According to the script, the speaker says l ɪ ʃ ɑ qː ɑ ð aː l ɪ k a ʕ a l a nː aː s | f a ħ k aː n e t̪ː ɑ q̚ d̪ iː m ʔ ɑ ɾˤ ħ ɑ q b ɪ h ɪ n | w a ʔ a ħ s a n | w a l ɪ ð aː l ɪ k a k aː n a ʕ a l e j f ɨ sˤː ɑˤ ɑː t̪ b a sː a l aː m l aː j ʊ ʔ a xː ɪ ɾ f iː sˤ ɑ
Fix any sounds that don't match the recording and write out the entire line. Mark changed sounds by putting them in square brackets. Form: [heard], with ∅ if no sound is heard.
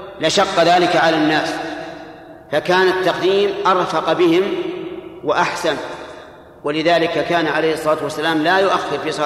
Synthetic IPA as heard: l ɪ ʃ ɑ qː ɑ ð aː l ɪ k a ʕ a l a nː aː s | f a [∅] k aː n [a] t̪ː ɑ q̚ d̪ iː m ʔ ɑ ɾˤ [f] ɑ q b ɪ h ɪ [m] | w a ʔ a ħ s a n | w a l ɪ ð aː l ɪ k a k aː n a ʕ a l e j [h] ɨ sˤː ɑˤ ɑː t̪ [w] a sː a l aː m l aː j ʊ ʔ a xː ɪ ɾ f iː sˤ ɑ